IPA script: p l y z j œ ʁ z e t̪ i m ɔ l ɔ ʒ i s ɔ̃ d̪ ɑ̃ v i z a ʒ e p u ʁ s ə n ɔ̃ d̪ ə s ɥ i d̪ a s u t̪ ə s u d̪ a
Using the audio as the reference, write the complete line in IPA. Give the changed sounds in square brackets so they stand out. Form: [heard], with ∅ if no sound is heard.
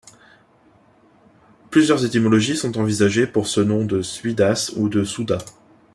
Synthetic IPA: p l y z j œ ʁ z e t̪ i m ɔ l ɔ ʒ i s ɔ̃ [t̪] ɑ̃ v i z a ʒ e p u ʁ s ə n ɔ̃ d̪ ə s ɥ i d̪ a s u [d̪] ə s u d̪ a